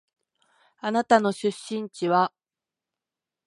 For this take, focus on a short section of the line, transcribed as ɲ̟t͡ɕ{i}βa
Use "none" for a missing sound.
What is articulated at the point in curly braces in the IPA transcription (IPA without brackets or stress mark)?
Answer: i